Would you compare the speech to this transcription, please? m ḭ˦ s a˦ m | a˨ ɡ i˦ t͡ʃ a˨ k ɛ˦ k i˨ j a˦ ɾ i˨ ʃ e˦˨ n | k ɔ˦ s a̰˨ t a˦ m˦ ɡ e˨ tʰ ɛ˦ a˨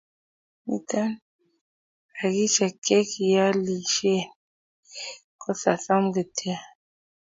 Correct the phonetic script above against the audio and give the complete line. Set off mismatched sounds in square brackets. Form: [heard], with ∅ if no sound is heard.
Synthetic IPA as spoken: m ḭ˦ [t] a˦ [n] | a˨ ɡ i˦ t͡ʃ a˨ k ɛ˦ k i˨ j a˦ [l] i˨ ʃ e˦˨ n | k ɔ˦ s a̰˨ [s] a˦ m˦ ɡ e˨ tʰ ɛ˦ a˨